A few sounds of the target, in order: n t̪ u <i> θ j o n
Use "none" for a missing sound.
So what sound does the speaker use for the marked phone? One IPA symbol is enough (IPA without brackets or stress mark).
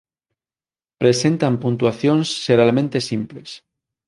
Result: a